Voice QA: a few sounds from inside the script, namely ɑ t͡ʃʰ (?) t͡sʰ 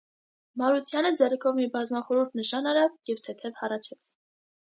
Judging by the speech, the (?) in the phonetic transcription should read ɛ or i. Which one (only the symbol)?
ɛ